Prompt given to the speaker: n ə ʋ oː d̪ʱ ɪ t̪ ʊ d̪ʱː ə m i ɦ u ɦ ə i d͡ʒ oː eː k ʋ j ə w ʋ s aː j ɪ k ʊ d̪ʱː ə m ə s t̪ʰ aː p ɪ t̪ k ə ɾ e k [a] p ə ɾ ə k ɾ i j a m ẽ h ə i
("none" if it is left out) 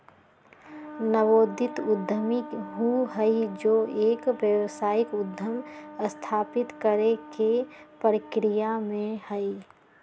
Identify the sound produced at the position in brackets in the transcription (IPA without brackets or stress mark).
e